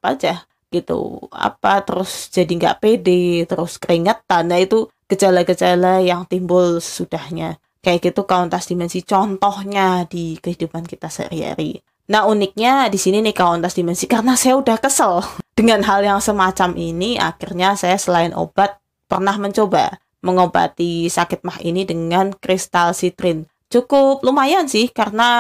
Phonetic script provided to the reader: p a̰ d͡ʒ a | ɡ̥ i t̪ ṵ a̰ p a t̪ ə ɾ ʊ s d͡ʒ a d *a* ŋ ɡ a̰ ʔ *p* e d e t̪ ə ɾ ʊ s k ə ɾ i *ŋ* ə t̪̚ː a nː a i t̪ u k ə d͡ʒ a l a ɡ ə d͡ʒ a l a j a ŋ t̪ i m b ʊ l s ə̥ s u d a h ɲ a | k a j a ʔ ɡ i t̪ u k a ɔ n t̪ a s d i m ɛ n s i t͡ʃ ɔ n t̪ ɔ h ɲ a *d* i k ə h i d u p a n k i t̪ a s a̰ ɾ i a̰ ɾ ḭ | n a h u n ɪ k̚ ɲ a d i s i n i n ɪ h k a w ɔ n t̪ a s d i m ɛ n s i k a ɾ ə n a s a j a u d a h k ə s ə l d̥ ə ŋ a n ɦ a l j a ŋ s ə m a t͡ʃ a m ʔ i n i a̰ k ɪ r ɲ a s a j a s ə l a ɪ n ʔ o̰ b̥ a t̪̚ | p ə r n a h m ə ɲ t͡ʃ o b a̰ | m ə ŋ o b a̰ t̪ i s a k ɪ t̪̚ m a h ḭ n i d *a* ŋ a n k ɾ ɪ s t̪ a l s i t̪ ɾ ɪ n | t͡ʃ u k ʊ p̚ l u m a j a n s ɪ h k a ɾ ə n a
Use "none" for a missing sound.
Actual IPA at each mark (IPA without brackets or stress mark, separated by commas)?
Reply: i, p, ŋ, d, ə